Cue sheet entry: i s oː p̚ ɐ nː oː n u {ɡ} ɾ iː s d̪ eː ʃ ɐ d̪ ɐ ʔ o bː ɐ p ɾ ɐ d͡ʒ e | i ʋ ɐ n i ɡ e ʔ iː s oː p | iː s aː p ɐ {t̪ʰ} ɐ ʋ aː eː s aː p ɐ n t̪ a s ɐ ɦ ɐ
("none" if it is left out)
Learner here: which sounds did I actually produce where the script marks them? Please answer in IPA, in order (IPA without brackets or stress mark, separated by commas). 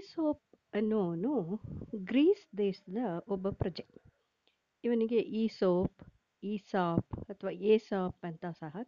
ɡ, t̪ʰ